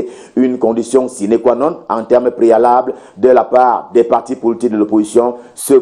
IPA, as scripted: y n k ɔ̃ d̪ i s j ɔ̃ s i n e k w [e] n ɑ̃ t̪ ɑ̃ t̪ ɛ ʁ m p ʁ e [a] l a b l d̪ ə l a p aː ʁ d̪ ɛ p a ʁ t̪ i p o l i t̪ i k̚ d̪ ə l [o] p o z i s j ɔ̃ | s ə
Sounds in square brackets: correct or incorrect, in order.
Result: incorrect, correct, correct

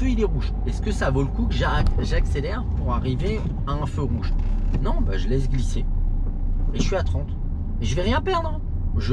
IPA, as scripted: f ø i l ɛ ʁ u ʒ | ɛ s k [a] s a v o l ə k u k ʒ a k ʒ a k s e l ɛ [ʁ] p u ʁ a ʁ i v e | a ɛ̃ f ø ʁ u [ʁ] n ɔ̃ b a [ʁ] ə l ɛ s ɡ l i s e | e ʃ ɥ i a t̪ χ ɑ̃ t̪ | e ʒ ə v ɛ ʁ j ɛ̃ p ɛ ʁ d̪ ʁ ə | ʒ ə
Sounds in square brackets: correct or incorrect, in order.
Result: incorrect, correct, incorrect, incorrect

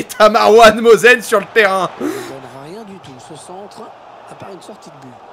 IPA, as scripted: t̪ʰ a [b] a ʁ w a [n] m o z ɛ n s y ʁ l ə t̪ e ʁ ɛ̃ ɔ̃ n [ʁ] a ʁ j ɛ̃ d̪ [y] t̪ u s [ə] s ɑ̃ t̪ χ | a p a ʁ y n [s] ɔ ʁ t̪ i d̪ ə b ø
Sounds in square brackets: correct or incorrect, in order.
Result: incorrect, correct, correct, correct, correct, correct

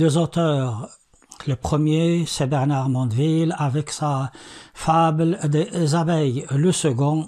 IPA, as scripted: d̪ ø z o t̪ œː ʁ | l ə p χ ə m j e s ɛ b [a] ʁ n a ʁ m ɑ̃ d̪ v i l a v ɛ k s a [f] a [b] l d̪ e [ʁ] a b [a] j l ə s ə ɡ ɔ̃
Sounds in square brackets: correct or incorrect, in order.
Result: incorrect, correct, correct, incorrect, incorrect

